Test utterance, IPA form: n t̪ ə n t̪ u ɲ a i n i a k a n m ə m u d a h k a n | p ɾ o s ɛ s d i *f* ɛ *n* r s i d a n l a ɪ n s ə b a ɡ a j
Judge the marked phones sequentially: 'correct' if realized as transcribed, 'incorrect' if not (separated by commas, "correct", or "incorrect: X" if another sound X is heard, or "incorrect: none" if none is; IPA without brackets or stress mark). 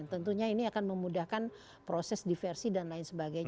correct, incorrect: none